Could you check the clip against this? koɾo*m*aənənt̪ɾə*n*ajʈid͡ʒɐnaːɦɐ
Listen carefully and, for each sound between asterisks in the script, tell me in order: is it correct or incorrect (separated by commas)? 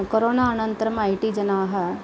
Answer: incorrect, incorrect